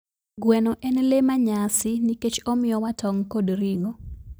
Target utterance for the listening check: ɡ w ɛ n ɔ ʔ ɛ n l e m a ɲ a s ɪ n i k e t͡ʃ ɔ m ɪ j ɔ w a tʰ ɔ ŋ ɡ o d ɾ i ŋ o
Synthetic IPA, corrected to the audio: ɡ w ɛ n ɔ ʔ ɛ n l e m a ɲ a s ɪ n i k e t͡ʃ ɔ m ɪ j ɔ w a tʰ ɔ ŋ k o d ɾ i ŋ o